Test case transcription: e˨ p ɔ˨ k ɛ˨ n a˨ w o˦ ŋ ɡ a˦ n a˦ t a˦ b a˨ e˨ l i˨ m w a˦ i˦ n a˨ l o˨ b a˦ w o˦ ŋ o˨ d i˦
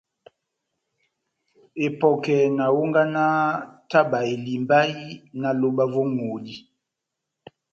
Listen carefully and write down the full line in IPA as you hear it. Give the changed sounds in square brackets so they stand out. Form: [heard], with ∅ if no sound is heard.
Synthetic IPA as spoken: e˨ p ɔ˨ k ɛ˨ n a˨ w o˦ ŋ ɡ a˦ n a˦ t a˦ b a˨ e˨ l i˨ m [b] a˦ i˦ n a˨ l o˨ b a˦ [v] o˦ ŋ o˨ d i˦

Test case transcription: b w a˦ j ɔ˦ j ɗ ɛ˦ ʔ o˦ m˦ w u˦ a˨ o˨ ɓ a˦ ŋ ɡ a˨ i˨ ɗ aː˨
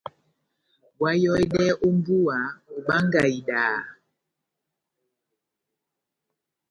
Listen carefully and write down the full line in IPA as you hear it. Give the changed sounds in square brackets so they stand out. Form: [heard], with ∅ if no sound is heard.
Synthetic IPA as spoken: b w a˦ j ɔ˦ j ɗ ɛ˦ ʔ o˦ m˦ [b] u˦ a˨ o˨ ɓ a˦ ŋ ɡ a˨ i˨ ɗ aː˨

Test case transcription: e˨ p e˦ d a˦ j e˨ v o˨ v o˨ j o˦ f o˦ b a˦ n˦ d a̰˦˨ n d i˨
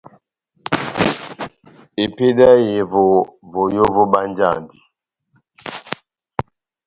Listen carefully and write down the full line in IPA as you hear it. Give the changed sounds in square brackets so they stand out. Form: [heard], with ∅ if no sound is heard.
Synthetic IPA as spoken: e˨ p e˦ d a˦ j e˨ v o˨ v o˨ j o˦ [v] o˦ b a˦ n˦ [d͡ʒ] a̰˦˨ n d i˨

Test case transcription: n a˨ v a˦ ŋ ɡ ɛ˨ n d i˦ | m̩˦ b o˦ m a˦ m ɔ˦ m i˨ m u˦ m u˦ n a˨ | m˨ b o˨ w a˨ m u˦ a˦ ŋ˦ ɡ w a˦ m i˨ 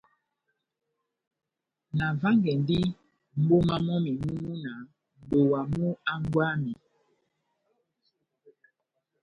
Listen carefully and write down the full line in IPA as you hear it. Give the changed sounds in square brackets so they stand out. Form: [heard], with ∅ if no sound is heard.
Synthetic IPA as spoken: n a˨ v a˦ ŋ ɡ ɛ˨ n d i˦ | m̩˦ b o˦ m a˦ m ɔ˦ m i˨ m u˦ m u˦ n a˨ | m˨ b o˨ w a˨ m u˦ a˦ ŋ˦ ɡ w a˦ m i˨

